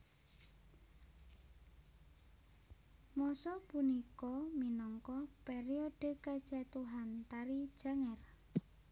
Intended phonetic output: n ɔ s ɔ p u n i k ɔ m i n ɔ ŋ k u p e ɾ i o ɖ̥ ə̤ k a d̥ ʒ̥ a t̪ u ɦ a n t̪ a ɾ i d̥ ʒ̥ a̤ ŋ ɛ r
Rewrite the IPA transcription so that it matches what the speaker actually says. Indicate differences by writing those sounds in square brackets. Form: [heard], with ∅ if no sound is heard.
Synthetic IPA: [m] ɔ s ɔ p u n i k ɔ m i n ɔ ŋ k [ɔ] p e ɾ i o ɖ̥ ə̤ k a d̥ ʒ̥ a t̪ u ɦ a n t̪ a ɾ i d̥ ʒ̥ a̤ ŋ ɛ r

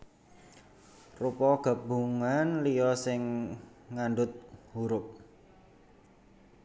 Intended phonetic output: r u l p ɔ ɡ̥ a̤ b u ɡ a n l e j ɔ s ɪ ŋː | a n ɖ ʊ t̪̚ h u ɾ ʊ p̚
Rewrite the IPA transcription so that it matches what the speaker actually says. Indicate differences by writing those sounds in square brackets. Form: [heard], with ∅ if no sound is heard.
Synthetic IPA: r u [∅] p ɔ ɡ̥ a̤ b u [ŋ] a n l [i] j ɔ s ɪ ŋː | a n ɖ ʊ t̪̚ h u ɾ ʊ p̚

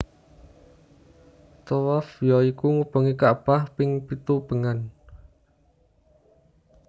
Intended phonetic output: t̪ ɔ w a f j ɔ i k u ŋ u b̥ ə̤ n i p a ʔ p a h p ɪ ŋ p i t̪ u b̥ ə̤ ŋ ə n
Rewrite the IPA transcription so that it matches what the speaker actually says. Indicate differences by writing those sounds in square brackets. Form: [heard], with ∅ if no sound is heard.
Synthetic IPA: t̪ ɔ w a f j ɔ i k u ŋ u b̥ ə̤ [ŋ] i [k] a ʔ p a h p ɪ ŋ p i t̪ u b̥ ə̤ ŋ [a] n

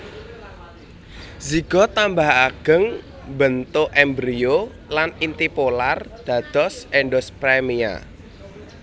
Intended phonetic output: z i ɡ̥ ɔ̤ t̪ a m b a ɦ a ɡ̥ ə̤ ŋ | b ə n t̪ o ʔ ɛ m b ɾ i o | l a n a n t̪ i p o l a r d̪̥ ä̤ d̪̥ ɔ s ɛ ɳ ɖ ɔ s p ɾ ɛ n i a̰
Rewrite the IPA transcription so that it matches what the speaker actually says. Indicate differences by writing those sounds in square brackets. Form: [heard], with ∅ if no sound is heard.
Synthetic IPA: z i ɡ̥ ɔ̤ t̪ a m b a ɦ a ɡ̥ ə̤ ŋ | b ə n t̪ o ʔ ɛ m b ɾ i o | l a n [i] n t̪ i p o l a r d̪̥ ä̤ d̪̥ ɔ s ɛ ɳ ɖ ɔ s p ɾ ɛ [m] i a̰

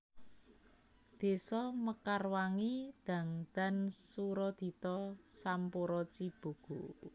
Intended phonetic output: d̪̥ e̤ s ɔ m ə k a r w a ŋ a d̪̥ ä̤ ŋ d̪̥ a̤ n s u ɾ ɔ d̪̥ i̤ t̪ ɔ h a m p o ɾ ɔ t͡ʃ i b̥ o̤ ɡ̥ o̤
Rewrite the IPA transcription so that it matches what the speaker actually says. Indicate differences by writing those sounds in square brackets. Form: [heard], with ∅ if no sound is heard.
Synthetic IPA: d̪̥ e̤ s ɔ m ə k a r w a ŋ [i] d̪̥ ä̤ ŋ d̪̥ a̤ n s u ɾ ɔ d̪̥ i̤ t̪ ɔ [s] a m p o ɾ ɔ t͡ʃ i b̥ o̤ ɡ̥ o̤

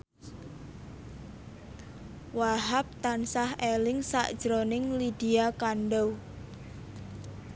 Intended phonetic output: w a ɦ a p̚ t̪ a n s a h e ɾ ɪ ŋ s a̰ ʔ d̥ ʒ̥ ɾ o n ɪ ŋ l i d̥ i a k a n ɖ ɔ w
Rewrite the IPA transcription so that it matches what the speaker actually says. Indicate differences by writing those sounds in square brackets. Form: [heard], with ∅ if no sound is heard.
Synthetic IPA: w a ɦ a p̚ t̪ a n s a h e [l] ɪ ŋ s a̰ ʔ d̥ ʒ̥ ɾ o n ɪ ŋ l i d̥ i a k a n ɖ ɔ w

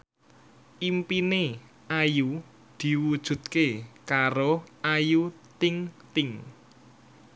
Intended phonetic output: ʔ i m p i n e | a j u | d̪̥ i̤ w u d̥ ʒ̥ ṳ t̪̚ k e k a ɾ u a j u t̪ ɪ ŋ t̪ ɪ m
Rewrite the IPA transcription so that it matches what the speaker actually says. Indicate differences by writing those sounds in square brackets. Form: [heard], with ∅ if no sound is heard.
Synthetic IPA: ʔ i m p i n e | a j u | d̪̥ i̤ w u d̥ ʒ̥ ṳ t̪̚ k e k a ɾ [o] a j u t̪ ɪ ŋ t̪ ɪ [ŋ]

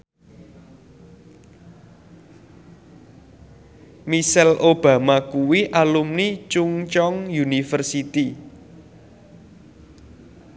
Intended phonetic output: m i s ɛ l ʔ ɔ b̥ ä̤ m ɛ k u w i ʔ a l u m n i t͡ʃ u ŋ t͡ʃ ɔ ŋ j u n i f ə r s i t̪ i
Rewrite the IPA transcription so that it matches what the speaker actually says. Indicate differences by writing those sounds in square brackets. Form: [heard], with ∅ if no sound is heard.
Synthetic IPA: m i s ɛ l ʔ [o] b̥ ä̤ m [a] k u w i ʔ a l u m n i t͡ʃ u ŋ t͡ʃ ɔ ŋ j u n i f ə r s i t̪ i

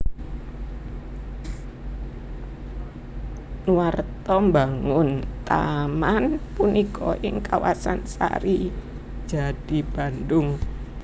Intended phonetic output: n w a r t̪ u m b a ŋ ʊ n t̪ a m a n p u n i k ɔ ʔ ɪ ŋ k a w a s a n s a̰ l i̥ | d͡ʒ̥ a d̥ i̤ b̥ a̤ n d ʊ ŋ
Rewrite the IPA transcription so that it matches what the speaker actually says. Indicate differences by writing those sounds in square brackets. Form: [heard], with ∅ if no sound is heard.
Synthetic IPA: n w a r t̪ [ɔ] m b a ŋ ʊ n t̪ a m a n p u n i k ɔ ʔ ɪ ŋ k a w a s a n s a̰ [ɾ] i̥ | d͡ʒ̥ a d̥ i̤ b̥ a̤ n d ʊ ŋ

